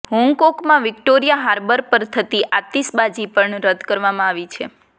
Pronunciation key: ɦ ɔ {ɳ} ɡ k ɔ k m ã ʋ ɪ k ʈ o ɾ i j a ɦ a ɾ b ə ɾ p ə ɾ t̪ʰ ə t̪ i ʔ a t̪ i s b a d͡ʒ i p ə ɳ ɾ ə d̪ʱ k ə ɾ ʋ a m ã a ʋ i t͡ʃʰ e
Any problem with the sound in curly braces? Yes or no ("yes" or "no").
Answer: yes